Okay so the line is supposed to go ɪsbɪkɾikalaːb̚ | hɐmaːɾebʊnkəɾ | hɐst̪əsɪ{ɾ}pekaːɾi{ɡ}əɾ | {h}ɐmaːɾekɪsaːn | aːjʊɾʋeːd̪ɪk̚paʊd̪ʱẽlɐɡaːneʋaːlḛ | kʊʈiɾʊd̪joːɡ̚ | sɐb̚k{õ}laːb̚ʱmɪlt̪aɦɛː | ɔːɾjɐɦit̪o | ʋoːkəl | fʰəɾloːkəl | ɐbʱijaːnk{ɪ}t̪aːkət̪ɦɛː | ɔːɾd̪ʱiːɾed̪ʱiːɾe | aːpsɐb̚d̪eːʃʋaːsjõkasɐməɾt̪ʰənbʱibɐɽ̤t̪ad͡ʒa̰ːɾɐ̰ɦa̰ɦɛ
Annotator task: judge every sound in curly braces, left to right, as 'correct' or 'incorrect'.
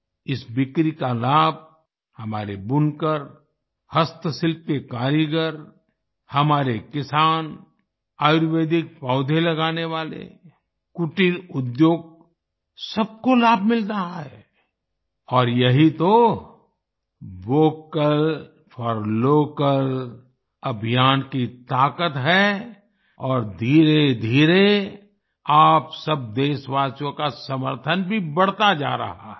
incorrect, correct, correct, incorrect, incorrect

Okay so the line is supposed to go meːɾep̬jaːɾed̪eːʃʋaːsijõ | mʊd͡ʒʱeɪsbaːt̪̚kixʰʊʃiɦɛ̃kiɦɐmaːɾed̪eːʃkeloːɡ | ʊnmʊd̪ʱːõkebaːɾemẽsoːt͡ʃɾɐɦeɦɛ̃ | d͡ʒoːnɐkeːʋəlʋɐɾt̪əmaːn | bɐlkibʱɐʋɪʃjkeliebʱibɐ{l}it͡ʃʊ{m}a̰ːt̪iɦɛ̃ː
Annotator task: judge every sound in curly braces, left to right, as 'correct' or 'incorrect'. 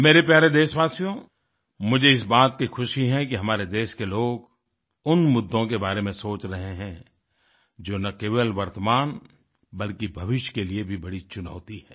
incorrect, incorrect

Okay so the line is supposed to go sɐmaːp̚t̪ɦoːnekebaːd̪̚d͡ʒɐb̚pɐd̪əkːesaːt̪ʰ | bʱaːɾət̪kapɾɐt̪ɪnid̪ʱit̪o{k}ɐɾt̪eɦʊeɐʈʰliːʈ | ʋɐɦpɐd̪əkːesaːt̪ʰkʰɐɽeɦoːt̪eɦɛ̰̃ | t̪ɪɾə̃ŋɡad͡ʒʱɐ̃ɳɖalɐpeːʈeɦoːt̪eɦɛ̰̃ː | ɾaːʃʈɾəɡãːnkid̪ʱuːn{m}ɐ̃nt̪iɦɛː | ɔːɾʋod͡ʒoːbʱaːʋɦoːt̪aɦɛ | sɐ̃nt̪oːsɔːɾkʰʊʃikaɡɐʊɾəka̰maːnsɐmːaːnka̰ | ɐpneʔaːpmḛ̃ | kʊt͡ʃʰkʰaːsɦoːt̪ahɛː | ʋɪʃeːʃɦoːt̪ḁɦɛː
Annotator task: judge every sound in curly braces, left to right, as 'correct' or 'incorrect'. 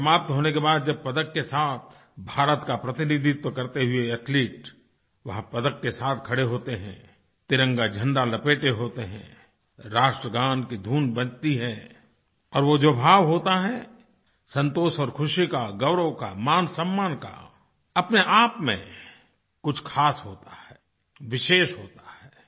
correct, incorrect

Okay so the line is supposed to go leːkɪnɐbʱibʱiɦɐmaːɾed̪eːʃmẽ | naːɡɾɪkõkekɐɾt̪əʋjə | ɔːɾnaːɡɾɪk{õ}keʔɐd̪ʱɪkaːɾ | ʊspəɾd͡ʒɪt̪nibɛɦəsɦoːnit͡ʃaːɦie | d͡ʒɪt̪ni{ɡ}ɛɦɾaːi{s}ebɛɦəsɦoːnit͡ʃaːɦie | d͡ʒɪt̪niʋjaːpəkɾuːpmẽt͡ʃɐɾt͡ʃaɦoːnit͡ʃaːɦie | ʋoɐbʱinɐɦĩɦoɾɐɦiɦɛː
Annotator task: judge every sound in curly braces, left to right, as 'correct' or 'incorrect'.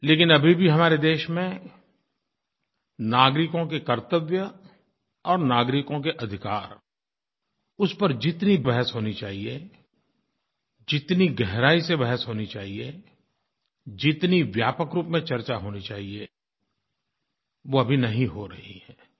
correct, correct, correct

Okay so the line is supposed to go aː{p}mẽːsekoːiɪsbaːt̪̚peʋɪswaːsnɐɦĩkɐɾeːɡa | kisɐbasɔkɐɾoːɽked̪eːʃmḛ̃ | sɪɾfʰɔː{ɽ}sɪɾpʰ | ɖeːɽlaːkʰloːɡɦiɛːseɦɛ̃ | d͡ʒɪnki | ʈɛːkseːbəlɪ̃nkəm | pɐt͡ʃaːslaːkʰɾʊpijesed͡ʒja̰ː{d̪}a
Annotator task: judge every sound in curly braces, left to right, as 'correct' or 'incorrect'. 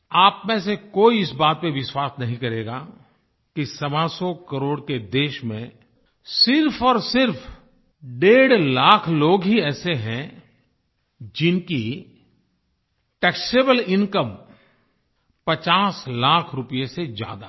correct, incorrect, correct

